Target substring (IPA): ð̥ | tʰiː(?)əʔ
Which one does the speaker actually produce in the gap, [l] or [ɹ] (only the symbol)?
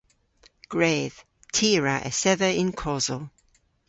ɹ